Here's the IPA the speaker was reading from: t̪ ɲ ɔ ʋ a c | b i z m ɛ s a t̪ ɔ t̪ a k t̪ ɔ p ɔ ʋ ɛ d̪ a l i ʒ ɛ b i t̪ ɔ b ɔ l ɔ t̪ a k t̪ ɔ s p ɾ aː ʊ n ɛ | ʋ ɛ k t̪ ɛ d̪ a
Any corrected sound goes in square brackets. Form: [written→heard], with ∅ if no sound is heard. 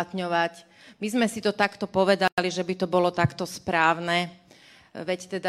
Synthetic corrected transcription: t̪ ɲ ɔ ʋ a c | [b→m] i z m ɛ s [a→i] t̪ ɔ t̪ a k t̪ ɔ p ɔ ʋ ɛ d̪ a l i ʒ ɛ b i t̪ ɔ b ɔ l ɔ t̪ a k t̪ ɔ s p ɾ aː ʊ n ɛ | ʋ ɛ [k→c] t̪ ɛ d̪ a